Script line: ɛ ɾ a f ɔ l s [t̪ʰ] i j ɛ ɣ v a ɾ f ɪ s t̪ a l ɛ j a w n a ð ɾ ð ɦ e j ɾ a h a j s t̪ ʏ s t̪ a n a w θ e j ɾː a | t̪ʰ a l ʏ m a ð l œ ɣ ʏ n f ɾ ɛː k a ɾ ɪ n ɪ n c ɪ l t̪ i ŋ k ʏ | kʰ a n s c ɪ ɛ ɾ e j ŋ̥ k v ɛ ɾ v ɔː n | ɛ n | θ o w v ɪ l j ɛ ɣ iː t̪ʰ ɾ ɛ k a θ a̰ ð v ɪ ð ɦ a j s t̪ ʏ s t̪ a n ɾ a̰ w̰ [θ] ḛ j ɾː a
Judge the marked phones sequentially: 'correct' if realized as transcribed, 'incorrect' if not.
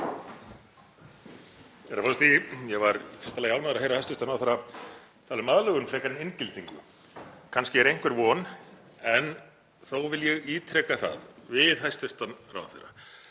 incorrect, correct

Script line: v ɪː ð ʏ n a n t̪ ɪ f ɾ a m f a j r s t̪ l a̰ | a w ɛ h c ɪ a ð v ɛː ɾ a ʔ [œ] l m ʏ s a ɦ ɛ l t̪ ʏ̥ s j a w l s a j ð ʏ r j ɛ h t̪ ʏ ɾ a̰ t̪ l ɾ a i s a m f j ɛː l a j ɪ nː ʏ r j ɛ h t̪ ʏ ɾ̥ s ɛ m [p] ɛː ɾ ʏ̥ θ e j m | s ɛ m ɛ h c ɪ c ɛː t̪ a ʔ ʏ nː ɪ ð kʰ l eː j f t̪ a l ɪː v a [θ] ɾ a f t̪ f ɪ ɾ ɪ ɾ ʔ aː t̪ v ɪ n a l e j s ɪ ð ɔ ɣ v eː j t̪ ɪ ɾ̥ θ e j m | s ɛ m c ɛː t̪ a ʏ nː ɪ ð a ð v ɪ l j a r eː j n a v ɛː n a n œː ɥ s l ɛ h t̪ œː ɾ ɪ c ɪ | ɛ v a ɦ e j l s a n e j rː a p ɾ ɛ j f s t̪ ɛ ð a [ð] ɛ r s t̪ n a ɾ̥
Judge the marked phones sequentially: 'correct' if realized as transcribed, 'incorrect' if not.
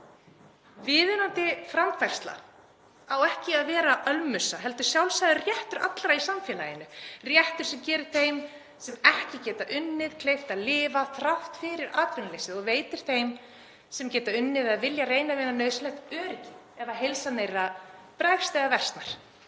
correct, incorrect, correct, incorrect

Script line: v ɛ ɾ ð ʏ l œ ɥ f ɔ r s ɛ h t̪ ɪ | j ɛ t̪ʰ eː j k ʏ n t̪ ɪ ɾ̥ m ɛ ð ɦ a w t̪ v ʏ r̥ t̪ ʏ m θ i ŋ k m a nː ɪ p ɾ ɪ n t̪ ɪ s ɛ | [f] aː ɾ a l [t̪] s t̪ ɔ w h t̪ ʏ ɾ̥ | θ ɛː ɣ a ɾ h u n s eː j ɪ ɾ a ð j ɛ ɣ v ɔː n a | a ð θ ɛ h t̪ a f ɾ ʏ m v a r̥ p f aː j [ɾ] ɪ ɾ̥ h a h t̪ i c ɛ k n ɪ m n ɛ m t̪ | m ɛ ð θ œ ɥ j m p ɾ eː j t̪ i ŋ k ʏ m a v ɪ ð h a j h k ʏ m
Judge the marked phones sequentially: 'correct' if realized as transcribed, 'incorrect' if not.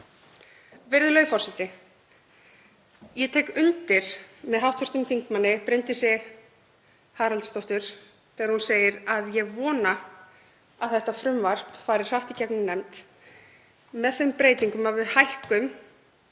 incorrect, correct, correct

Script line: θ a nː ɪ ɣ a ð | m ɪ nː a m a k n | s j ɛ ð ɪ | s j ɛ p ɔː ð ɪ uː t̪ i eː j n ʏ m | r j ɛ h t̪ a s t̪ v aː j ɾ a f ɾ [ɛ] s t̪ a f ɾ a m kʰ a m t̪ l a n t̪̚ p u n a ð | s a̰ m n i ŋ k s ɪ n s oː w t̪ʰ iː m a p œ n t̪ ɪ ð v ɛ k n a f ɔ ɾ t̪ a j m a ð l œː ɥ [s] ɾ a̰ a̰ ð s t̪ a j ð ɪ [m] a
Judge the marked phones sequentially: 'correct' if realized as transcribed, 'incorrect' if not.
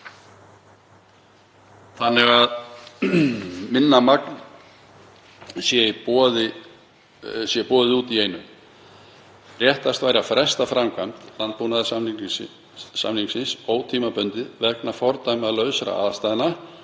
correct, correct, incorrect

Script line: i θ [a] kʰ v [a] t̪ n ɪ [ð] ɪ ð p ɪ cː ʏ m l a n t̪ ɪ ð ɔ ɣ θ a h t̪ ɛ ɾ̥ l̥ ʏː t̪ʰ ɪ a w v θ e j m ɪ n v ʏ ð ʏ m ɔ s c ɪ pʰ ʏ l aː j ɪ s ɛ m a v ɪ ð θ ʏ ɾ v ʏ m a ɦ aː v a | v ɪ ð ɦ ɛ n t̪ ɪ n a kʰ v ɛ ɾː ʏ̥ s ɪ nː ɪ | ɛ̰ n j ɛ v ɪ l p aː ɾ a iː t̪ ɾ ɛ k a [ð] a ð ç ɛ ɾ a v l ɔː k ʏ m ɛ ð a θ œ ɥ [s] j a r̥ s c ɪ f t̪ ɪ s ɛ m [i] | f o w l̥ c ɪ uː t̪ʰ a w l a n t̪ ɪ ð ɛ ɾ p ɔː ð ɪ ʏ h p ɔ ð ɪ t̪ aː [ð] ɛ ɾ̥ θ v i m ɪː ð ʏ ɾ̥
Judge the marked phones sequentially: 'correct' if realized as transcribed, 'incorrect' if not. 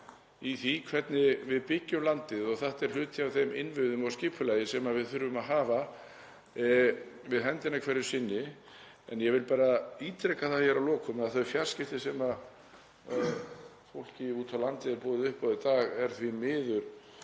incorrect, incorrect, incorrect, incorrect, incorrect, incorrect, incorrect

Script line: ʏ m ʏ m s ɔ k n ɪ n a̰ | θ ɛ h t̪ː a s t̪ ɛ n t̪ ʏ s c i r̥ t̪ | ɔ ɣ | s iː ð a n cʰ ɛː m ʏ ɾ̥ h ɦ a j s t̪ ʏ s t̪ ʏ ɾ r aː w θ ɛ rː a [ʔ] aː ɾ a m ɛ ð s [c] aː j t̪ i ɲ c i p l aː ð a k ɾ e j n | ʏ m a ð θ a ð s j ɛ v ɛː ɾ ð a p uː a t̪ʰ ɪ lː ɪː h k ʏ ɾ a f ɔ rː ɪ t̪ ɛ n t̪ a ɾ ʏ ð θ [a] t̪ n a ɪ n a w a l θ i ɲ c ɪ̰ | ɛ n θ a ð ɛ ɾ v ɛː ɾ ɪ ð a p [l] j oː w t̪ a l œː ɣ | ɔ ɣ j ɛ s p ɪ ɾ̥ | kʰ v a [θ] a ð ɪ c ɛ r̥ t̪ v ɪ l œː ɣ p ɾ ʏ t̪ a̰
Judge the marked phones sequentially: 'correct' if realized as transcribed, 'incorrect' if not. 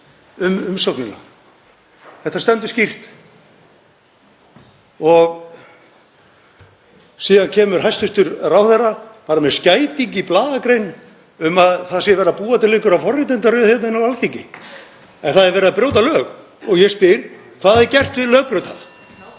incorrect, correct, incorrect, incorrect, incorrect

